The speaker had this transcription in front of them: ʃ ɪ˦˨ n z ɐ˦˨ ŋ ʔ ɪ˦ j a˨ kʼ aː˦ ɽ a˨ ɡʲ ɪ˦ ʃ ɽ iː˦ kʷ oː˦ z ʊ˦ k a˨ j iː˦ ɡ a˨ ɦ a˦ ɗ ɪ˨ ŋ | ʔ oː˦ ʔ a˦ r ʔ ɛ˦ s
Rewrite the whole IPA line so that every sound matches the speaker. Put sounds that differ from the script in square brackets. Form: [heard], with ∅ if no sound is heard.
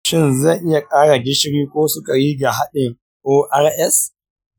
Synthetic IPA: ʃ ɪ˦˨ n z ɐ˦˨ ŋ ʔ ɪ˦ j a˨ kʼ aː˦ ɽ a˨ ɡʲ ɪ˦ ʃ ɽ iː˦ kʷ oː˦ [s] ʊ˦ k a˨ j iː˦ ɡ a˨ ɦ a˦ ɗ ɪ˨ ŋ | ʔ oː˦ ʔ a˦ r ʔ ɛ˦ s